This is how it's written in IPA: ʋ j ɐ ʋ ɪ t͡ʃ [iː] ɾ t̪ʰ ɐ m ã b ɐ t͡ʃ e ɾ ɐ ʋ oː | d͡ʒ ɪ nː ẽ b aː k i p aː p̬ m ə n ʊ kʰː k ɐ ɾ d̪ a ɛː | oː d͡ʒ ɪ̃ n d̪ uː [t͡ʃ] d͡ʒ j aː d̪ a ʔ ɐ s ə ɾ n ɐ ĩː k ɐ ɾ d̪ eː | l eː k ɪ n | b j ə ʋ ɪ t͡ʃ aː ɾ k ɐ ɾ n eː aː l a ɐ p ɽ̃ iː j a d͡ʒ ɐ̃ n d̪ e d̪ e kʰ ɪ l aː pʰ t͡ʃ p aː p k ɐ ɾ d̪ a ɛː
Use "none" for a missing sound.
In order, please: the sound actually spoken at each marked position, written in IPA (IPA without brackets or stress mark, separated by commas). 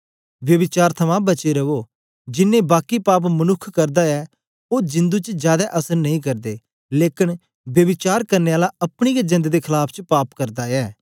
aː, t͡ʃ